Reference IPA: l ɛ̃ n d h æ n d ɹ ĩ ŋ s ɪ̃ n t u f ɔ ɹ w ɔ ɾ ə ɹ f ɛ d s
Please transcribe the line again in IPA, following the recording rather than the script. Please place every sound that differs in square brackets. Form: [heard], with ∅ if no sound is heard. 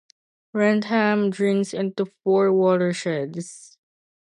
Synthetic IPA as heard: [ɹ] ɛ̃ n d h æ [m] d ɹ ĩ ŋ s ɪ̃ n t u f ɔ ɹ w ɔ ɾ ə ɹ [ʃ] ɛ d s